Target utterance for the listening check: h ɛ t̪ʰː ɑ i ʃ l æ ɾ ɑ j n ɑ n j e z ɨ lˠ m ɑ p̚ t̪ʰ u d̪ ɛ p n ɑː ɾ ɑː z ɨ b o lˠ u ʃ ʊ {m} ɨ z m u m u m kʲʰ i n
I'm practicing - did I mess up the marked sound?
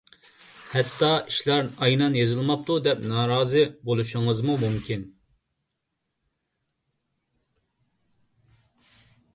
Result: yes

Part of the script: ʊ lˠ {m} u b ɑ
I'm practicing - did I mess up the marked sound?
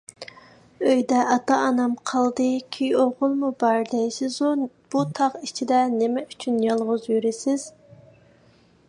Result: no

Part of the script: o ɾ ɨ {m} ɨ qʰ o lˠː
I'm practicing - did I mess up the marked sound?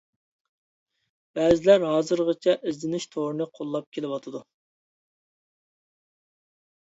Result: yes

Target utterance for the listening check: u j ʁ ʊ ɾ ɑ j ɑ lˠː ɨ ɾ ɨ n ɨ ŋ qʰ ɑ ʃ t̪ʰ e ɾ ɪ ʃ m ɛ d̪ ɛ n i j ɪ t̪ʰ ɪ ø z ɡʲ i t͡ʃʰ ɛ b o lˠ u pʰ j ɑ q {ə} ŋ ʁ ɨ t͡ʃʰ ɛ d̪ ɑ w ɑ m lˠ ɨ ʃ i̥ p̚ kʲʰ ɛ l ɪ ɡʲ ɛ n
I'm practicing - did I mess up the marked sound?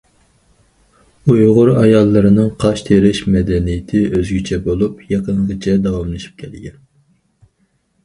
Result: no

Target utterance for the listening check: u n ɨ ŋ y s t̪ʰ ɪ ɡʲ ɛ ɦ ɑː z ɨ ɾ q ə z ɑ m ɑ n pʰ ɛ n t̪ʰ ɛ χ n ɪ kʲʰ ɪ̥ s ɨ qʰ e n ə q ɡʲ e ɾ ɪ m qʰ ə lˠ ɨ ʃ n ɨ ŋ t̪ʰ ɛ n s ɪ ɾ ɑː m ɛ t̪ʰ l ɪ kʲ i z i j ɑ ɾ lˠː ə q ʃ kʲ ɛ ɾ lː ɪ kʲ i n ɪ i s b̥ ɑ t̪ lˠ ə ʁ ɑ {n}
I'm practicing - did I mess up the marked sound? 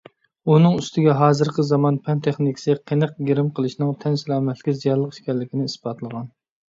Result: no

